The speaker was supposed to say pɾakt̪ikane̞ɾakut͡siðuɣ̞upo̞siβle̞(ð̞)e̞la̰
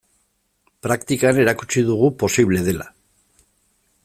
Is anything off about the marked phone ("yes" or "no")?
no